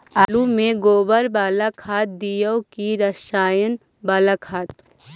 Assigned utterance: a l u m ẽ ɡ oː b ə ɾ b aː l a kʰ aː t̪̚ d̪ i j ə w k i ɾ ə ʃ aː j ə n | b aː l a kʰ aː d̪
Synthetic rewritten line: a l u m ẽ ɡ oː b ə ɾ b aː l a kʰ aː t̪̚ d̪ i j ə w k i ɾ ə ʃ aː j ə n | b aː l a kʰ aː t̪